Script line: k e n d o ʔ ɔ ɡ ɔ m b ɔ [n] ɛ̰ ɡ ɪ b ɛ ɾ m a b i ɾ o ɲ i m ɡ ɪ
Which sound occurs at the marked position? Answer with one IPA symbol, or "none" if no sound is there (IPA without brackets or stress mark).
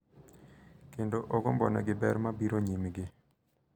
n